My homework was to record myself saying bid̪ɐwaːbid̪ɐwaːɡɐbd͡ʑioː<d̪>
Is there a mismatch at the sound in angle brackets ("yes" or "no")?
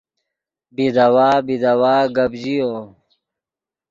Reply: yes